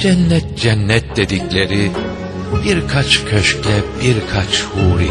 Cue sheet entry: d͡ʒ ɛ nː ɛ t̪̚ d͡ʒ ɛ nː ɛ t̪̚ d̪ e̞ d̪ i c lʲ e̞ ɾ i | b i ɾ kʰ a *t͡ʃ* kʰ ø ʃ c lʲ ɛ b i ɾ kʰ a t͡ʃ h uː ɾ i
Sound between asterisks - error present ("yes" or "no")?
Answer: no